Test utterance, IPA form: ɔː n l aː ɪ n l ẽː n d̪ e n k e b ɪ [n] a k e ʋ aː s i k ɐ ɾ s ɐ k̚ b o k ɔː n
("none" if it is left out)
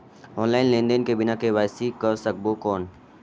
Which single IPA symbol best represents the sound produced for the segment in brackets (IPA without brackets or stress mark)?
n